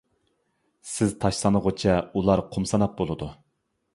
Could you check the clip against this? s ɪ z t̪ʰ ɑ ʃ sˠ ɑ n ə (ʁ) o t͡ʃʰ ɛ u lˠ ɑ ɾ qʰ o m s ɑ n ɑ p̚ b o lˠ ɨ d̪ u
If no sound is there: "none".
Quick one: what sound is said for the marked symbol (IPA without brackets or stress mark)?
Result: ʁ